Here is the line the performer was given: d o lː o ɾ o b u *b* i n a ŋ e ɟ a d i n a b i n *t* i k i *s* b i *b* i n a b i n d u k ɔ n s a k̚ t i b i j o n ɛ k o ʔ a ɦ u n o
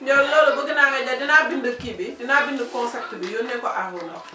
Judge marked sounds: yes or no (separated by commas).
no, no, no, no